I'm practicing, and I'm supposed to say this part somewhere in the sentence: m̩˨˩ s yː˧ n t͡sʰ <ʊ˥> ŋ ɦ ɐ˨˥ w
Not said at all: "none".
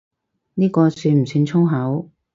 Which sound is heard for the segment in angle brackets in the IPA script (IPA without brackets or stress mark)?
ʊ˥